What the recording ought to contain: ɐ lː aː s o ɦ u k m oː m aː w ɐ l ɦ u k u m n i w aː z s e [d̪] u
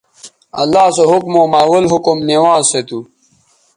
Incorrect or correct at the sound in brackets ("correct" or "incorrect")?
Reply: incorrect